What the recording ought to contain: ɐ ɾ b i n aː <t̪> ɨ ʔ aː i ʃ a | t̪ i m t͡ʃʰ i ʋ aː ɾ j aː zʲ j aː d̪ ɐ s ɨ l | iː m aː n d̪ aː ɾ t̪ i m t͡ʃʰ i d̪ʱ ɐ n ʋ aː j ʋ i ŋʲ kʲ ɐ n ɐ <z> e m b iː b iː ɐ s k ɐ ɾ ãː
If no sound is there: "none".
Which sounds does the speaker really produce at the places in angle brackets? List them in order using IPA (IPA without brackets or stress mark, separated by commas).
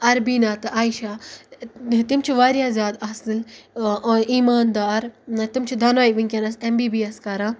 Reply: t̪, s